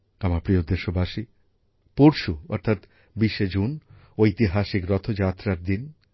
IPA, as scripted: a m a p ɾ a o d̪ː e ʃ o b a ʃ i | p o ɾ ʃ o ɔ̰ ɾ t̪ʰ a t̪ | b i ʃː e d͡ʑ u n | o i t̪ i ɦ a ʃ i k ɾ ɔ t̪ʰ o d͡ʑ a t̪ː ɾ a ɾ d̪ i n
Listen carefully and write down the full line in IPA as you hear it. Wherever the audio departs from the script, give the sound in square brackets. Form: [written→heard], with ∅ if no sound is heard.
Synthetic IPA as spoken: a m a p ɾ [a→i] o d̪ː e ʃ o b a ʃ i | p o ɾ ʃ [o→u] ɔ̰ ɾ t̪ʰ a t̪ | b i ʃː e d͡ʑ u n | o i t̪ i ɦ a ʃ i k ɾ ɔ t̪ʰ o d͡ʑ a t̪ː ɾ a ɾ d̪ i n